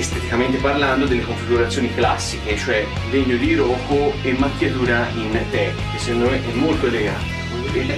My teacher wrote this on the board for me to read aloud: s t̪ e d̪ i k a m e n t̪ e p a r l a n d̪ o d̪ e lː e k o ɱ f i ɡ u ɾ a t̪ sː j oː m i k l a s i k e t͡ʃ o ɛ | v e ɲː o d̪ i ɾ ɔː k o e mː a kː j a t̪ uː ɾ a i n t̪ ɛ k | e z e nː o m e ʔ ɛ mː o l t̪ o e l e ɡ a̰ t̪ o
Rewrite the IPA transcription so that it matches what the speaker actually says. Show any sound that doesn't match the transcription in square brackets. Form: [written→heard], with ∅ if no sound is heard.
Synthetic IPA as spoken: s t̪ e [d̪→t̪] i k a m e n t̪ e p a r l a n d̪ o d̪ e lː e k o ɱ f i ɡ u ɾ a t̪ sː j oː [m→n] i k l a [s→sː] i k e t͡ʃ o ɛ | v e ɲː o d̪ i ɾ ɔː k o e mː a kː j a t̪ uː ɾ a i n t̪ ɛ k | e [z→s] e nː o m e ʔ ɛ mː o l t̪ o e l e ɡ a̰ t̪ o